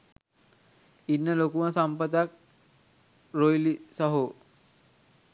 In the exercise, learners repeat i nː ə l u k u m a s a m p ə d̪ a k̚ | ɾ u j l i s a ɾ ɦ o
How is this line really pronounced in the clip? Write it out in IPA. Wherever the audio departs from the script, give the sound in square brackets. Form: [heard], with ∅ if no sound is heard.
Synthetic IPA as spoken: i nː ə l [o] k u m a s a m p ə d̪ a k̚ | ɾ [o] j l i s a [∅] ɦ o